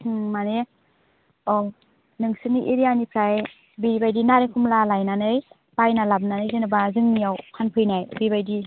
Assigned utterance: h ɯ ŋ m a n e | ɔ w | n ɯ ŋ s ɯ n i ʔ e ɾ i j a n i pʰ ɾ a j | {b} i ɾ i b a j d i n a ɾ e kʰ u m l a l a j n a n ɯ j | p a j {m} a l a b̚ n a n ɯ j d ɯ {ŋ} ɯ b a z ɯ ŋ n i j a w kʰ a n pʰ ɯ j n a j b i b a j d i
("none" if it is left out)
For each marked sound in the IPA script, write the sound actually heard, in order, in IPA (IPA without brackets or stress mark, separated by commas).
b, n, n